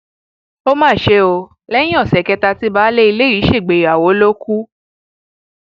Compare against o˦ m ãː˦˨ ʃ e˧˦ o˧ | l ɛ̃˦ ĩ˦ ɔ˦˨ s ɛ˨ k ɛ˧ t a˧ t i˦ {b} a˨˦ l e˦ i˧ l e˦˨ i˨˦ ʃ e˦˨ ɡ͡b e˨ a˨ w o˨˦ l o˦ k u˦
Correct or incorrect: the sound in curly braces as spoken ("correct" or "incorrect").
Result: correct